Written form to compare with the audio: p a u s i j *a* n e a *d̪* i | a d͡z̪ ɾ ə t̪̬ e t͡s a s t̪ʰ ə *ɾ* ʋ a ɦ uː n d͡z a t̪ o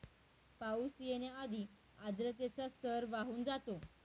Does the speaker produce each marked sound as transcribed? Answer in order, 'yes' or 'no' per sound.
no, yes, yes

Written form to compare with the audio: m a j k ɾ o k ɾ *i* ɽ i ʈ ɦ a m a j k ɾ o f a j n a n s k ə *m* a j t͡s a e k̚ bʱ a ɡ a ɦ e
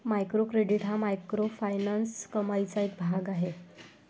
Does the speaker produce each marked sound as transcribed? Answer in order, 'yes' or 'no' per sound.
no, yes

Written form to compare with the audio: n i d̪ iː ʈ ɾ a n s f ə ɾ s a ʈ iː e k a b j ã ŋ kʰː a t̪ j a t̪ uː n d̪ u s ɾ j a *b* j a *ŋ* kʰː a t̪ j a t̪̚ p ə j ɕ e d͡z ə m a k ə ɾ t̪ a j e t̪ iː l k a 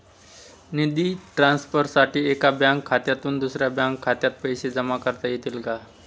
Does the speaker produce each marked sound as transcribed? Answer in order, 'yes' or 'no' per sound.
yes, yes

